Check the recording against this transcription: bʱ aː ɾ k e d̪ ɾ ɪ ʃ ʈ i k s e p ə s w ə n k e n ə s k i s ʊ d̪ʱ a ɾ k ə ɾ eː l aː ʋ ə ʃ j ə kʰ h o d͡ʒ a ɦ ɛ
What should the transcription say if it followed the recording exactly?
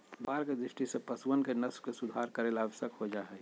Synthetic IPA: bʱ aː ɾ k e d̪ ɾ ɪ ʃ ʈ i s e p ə s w ə n k e n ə s k e s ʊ d̪ʱ a ɾ k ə ɾ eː l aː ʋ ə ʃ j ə k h o d͡ʒ a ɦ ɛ